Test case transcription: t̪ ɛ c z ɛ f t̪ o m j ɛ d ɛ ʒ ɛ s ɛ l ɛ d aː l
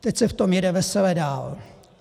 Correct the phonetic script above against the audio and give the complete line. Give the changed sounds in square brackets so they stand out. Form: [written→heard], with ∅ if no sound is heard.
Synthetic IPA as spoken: t̪ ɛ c [z→s] ɛ f t̪ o m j ɛ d ɛ [ʒ→v] ɛ s ɛ l ɛ d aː l